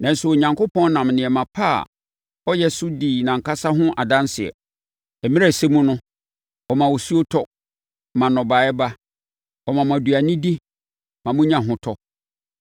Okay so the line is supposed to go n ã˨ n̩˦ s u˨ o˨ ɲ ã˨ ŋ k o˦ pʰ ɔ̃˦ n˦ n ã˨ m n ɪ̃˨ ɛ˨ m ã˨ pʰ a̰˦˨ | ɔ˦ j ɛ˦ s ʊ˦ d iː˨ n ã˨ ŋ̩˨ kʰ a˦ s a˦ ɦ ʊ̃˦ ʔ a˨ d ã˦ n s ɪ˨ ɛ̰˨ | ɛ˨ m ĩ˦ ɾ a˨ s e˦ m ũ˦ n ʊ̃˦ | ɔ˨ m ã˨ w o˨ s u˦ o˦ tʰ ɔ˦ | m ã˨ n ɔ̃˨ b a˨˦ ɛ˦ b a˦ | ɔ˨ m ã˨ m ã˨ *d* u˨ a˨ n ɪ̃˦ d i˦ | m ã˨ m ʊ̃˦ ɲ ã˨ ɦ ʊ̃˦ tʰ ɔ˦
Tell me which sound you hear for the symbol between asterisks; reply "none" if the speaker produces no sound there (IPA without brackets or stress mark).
d